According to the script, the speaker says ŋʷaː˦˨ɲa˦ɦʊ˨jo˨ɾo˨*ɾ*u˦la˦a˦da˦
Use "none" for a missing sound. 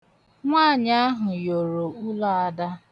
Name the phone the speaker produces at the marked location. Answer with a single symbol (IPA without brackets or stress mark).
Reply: none